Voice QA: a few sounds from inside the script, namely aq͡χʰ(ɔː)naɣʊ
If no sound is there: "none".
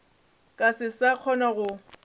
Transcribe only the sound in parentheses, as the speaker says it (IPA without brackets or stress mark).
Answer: ɔ